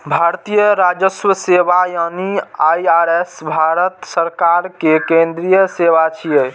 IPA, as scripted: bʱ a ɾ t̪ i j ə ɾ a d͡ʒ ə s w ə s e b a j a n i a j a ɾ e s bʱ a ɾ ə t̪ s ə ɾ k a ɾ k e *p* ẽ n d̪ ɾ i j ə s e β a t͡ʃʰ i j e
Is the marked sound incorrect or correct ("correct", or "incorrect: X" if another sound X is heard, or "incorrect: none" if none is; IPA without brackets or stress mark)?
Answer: incorrect: k